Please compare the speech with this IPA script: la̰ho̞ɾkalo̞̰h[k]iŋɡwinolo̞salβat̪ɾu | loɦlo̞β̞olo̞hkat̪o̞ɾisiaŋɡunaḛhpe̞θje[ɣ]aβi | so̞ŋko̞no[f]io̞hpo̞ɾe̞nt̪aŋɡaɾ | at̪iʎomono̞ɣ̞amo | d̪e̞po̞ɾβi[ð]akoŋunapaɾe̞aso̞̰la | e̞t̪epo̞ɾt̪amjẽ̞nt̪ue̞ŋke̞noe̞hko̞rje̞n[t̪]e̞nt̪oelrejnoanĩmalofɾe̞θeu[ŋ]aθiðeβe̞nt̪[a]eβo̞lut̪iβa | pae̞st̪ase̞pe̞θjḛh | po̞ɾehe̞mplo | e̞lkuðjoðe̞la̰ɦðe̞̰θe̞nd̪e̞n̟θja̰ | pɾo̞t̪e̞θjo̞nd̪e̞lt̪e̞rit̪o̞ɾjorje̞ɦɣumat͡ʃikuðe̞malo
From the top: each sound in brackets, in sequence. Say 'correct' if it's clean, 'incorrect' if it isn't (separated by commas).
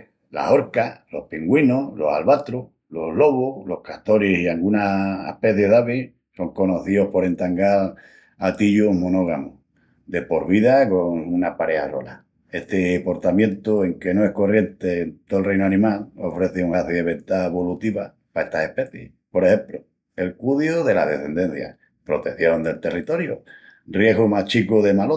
incorrect, incorrect, incorrect, correct, correct, correct, correct